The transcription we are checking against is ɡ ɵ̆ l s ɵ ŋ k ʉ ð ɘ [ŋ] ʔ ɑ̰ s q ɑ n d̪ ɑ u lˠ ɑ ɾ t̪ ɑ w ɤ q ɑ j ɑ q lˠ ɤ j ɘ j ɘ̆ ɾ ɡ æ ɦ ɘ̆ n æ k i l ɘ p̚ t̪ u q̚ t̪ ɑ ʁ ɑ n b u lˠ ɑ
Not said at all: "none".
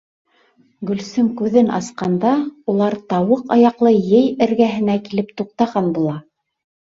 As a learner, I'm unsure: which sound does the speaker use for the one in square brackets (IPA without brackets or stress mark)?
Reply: n